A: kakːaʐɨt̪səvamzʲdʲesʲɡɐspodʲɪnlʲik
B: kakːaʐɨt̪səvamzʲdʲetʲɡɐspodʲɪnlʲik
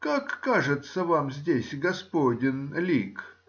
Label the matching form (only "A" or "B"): A